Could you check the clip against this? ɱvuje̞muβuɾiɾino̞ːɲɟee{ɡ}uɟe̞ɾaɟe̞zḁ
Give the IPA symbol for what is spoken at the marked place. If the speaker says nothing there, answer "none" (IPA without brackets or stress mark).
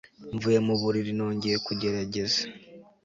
k